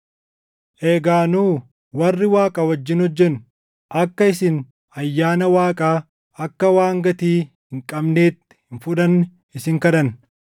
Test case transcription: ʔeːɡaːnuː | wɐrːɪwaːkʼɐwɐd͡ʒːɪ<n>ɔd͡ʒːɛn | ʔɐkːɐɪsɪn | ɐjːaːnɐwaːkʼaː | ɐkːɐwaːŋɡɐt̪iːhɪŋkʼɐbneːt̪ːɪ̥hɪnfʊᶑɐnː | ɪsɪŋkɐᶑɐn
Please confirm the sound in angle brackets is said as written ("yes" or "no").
yes